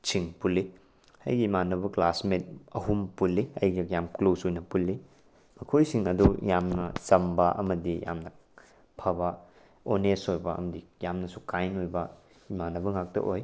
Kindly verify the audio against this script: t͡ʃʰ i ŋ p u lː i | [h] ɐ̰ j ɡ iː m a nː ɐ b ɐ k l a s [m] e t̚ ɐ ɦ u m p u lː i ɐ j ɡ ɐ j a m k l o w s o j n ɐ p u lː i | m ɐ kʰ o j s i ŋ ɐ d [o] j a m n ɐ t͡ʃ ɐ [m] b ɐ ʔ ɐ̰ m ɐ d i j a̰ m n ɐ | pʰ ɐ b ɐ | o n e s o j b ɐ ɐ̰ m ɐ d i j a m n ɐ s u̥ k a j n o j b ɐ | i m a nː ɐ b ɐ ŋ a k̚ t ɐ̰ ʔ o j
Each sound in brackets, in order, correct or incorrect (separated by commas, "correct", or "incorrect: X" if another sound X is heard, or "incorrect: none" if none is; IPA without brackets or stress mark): correct, correct, incorrect: u, correct